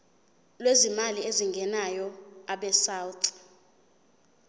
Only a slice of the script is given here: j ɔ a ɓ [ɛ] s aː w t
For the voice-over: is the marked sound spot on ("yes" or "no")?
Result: yes